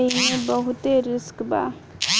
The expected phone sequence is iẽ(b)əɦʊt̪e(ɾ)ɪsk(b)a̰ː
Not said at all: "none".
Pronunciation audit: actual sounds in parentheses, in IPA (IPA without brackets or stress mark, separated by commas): b, ɾ, b